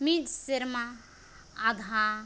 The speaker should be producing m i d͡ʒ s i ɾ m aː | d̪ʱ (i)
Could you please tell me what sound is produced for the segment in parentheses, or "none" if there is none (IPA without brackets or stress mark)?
a